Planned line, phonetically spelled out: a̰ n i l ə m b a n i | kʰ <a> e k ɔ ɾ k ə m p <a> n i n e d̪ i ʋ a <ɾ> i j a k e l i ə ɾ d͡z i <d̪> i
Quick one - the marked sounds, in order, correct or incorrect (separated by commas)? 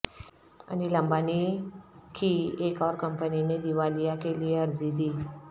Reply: incorrect, incorrect, incorrect, correct